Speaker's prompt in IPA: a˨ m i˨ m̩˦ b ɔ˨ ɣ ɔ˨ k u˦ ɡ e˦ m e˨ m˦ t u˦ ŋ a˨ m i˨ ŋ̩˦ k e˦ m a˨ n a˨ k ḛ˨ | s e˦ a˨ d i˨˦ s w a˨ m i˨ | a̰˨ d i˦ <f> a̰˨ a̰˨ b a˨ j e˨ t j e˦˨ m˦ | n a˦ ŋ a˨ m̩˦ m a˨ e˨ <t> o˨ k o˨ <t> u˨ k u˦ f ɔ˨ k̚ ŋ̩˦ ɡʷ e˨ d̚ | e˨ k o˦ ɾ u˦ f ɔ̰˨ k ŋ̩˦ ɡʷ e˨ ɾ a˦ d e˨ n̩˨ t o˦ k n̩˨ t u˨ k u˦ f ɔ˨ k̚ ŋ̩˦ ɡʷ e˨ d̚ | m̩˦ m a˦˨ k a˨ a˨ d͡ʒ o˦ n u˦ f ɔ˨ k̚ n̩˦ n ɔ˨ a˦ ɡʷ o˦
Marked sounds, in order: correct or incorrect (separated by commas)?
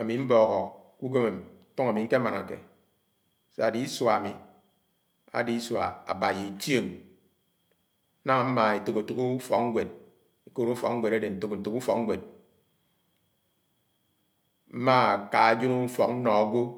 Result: incorrect, correct, correct